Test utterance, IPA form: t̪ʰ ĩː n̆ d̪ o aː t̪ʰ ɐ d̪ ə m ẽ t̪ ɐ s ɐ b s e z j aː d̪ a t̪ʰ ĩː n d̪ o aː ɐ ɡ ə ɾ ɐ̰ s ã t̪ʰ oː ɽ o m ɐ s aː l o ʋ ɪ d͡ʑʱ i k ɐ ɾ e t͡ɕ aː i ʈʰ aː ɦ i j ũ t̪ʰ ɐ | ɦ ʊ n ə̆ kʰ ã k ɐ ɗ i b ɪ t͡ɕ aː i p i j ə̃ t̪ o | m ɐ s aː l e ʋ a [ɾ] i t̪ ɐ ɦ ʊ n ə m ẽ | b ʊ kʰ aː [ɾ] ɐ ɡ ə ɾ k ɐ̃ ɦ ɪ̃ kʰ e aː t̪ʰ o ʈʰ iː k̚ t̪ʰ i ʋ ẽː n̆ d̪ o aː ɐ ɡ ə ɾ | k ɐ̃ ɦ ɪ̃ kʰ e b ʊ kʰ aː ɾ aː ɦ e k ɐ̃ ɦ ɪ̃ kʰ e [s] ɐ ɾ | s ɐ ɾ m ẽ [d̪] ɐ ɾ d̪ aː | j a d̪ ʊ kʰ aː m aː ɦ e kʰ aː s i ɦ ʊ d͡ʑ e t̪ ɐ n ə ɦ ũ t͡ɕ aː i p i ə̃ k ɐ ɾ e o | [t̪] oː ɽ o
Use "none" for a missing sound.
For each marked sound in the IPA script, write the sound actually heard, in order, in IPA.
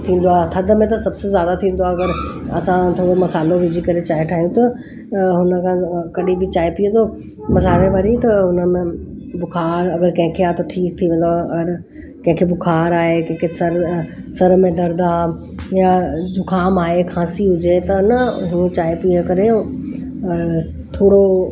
ɾ, ɾ, s, d̪, t̪ʰ

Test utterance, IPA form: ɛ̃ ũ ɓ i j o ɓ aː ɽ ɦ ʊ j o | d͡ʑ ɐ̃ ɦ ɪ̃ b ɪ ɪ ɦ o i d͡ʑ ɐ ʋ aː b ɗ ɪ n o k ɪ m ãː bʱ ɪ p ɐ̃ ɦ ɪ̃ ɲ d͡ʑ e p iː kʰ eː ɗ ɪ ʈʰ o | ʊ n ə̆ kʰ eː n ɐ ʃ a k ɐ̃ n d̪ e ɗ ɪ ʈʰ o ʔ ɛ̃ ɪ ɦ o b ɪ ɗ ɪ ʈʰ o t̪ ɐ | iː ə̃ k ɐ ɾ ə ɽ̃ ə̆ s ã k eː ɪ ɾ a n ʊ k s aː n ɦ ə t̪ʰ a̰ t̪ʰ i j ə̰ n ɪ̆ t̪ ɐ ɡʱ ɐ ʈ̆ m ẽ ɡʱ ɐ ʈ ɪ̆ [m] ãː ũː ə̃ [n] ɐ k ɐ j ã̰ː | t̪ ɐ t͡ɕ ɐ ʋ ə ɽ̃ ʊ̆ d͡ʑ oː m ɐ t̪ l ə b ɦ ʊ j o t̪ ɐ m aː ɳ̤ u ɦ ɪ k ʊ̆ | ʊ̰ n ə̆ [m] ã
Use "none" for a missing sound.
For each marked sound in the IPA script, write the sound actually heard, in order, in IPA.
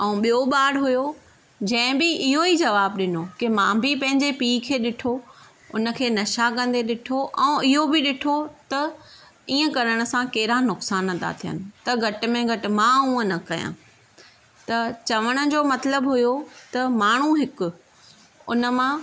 m, n, m

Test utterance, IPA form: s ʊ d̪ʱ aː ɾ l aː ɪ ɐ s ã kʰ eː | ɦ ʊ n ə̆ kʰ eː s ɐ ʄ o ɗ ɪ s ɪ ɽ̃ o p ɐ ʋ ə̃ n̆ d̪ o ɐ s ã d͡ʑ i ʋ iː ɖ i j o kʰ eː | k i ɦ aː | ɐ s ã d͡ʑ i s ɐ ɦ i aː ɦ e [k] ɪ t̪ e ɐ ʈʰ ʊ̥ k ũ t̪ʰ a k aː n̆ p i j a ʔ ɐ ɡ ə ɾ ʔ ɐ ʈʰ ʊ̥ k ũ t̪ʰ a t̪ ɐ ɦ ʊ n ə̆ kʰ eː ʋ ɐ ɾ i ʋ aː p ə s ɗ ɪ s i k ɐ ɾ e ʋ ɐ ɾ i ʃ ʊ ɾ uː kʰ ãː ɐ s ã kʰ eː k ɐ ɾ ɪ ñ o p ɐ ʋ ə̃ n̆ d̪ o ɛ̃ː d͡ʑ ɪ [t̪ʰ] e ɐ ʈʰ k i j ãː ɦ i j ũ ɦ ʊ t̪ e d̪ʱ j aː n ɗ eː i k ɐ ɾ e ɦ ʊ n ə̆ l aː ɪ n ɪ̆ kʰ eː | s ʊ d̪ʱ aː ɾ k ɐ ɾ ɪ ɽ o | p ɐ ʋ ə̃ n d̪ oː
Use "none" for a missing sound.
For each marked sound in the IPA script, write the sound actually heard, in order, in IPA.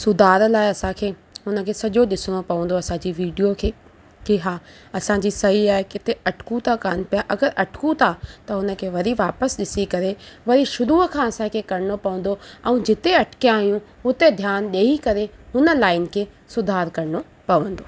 k, t̪

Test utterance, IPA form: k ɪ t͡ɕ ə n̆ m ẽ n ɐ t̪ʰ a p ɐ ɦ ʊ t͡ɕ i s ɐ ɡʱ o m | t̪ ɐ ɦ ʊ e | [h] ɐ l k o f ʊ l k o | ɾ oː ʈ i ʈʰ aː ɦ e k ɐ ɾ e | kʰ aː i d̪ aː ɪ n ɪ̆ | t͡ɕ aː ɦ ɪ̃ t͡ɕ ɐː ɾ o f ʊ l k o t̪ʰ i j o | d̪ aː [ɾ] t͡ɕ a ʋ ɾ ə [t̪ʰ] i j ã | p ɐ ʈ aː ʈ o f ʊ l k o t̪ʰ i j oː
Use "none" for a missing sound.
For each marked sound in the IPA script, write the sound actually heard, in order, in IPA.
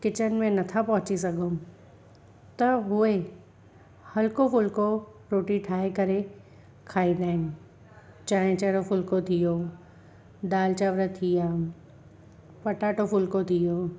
h, l, t̪ʰ

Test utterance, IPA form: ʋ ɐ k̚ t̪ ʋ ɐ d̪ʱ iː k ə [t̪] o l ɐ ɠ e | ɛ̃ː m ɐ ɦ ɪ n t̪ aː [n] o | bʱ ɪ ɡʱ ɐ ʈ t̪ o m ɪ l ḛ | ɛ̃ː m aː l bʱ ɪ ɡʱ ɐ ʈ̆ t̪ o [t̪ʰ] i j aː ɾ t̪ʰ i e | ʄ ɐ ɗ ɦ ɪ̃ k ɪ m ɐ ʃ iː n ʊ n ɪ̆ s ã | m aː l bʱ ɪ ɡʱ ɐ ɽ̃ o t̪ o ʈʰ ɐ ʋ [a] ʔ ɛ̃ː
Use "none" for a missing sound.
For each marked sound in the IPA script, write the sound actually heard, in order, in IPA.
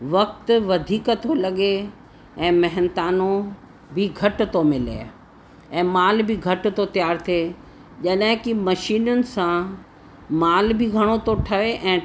t̪ʰ, n, t̪, e

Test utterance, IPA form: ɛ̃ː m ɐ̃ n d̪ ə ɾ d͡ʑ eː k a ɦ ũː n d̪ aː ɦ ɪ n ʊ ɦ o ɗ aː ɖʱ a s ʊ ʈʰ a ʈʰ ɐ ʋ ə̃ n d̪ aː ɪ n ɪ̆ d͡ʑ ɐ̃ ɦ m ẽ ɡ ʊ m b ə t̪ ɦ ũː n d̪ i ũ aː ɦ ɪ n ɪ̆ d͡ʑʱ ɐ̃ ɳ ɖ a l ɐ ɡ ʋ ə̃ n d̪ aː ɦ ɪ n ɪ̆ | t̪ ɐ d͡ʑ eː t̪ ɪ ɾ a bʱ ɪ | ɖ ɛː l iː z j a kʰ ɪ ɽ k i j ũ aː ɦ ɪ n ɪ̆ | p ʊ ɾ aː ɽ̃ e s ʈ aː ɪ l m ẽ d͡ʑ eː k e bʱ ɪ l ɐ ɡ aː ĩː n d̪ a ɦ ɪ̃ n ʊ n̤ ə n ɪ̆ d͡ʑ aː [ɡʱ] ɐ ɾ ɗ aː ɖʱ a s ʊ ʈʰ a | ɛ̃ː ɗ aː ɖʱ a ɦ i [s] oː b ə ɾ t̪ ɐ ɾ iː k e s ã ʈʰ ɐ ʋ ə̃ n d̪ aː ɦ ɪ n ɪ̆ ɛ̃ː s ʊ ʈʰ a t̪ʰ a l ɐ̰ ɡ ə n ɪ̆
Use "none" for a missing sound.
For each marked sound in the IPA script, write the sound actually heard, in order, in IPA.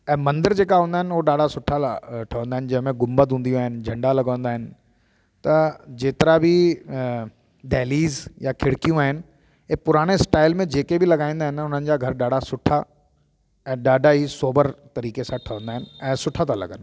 ɡʱ, s

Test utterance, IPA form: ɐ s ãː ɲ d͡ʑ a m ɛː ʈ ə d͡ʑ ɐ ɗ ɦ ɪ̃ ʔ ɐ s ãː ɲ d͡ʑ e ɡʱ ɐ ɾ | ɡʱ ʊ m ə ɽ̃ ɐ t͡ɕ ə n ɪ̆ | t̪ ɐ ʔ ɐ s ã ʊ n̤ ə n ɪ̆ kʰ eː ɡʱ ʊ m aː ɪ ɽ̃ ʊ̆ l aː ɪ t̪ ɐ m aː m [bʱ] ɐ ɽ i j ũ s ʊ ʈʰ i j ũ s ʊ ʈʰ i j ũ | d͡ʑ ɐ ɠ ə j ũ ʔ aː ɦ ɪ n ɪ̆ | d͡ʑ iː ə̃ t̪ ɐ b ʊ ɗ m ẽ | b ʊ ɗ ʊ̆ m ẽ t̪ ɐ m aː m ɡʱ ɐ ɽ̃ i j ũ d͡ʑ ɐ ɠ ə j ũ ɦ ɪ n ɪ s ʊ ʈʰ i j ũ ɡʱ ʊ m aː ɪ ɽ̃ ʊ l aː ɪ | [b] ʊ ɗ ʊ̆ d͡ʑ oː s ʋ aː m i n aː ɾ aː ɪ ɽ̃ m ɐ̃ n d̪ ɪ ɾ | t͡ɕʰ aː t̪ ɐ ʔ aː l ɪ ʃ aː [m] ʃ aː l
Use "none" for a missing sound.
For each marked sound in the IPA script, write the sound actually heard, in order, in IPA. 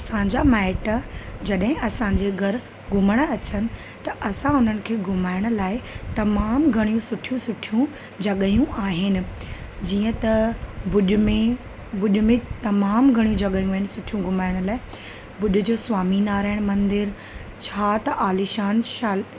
ɡʱ, b, n

